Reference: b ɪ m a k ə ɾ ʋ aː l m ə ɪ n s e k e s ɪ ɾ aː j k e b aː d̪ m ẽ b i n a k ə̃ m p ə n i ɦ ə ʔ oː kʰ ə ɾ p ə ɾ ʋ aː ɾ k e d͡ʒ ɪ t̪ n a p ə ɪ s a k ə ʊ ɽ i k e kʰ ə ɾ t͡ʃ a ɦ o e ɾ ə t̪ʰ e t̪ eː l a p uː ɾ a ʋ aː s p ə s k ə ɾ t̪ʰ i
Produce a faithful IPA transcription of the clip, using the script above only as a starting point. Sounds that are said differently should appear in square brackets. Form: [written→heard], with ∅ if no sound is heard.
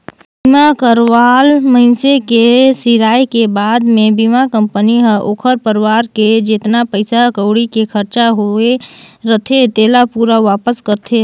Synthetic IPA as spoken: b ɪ m a k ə ɾ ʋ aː l m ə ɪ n s e k e s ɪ ɾ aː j k e b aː d̪ m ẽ b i [n→m] a k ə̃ m p ə n i ɦ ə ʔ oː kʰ ə ɾ p ə ɾ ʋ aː ɾ k e d͡ʒ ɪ t̪ n a p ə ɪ s a k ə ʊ ɽ i k e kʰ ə ɾ t͡ʃ a ɦ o e ɾ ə t̪ʰ e t̪ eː l a p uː ɾ a ʋ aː [s→∅] p ə s k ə ɾ t̪ʰ [i→e]